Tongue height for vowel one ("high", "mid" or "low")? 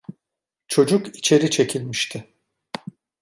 mid